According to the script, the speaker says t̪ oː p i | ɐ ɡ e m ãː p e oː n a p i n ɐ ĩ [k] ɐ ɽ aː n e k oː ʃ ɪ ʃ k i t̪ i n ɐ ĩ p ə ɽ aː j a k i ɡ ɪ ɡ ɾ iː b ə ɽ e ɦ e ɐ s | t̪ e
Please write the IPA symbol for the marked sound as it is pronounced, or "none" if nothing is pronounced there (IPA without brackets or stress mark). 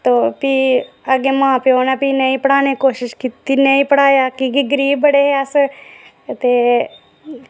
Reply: p